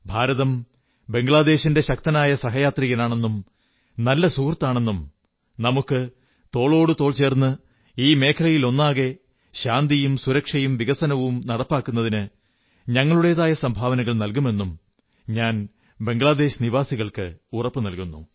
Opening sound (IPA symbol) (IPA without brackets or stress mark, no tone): bʱ